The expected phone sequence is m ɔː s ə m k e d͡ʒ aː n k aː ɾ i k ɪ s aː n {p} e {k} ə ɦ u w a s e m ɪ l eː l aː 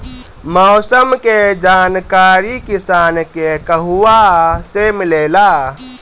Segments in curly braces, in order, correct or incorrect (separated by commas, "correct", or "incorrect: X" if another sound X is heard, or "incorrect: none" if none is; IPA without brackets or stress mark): incorrect: k, correct